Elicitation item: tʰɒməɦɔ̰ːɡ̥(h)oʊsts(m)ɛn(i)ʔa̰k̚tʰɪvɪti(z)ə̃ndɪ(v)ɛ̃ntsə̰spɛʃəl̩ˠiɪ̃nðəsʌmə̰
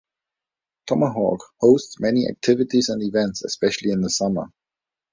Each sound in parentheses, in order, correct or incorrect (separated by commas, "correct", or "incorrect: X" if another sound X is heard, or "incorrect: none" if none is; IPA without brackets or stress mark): correct, correct, correct, correct, correct